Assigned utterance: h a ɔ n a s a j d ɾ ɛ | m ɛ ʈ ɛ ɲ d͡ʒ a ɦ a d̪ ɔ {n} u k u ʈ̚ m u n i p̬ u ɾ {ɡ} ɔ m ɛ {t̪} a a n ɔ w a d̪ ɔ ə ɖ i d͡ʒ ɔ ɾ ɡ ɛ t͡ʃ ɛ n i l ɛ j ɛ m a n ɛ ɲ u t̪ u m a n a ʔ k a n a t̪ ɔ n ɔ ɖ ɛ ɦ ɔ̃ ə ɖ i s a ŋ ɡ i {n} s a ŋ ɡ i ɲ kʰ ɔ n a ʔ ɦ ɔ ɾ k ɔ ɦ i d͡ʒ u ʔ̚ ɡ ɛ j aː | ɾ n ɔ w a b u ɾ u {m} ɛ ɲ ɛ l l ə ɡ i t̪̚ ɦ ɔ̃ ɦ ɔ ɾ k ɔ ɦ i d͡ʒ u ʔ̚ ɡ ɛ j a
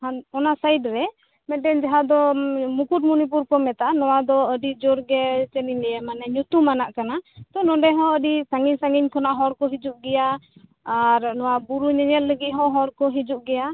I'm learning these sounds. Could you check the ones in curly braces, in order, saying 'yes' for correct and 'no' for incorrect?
no, no, yes, no, no

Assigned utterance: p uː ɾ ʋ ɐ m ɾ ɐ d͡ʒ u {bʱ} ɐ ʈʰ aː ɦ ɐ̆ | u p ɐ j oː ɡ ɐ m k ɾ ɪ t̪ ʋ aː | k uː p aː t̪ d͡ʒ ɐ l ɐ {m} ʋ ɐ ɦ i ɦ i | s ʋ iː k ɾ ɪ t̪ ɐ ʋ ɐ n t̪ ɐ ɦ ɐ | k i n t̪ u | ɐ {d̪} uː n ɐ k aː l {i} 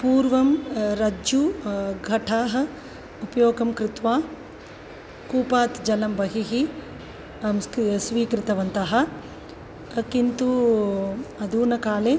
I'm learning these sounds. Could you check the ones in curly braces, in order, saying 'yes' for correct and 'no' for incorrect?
no, yes, yes, no

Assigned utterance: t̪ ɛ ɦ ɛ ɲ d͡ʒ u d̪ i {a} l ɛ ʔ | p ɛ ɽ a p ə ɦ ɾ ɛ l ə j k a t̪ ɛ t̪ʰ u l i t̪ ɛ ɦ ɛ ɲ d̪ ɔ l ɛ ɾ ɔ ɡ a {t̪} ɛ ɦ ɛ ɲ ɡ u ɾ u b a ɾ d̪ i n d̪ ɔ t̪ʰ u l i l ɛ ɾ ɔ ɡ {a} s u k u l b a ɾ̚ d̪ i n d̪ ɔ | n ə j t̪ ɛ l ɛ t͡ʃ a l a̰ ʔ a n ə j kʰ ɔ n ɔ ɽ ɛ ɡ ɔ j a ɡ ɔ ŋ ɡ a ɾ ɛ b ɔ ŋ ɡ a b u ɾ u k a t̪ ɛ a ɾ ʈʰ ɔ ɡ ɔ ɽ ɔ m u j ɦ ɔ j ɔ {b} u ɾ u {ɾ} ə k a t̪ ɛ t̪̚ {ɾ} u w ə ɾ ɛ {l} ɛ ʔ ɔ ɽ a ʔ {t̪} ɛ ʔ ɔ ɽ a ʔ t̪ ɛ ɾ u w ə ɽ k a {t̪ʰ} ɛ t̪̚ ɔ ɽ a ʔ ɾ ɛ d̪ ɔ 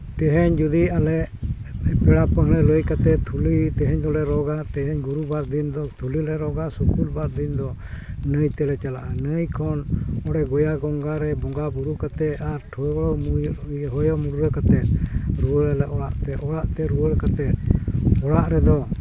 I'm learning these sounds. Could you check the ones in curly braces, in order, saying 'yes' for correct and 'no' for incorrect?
yes, yes, yes, no, yes, yes, yes, yes, no

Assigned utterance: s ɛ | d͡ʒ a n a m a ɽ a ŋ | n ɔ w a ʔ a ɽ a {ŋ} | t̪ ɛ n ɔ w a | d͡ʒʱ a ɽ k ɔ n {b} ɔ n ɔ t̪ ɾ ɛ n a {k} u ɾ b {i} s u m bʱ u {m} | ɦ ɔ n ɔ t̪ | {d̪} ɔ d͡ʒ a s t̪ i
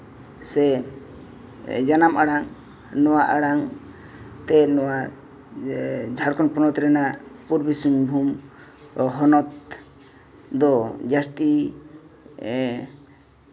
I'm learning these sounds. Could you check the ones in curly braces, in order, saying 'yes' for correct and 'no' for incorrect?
yes, no, no, yes, yes, yes

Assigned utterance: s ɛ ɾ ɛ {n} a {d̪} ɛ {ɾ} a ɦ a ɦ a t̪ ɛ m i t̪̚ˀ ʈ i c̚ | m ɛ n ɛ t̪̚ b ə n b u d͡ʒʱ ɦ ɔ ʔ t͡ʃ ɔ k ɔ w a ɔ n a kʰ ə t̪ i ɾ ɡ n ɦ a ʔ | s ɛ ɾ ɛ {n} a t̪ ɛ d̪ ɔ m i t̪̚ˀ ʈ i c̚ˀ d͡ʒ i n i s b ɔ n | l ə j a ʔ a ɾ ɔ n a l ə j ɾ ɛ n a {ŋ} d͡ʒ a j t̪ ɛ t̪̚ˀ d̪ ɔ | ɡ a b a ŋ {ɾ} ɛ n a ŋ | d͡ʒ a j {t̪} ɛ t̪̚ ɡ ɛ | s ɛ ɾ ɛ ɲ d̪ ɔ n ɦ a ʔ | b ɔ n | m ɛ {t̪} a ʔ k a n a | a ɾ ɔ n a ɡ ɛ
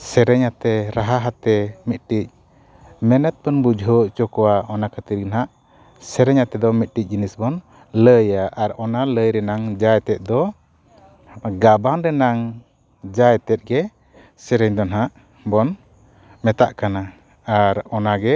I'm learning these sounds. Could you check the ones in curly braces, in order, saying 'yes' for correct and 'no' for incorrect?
no, no, yes, no, yes, yes, yes, yes

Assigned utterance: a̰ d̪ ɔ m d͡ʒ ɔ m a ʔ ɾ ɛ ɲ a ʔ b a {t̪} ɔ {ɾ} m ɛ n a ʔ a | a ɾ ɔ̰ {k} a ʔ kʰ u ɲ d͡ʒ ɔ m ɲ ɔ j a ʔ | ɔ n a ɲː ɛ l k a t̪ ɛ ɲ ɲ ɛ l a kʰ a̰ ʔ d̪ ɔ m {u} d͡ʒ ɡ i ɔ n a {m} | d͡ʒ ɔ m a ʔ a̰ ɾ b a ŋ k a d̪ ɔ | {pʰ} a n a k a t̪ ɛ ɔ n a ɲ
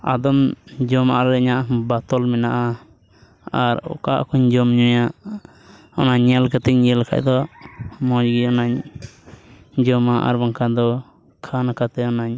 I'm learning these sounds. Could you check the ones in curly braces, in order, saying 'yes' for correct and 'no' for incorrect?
yes, no, yes, no, no, no

